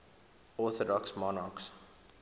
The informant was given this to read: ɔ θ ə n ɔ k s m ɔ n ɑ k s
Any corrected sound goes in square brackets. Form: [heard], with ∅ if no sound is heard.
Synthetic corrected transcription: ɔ θ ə [d] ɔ k s m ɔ n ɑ k s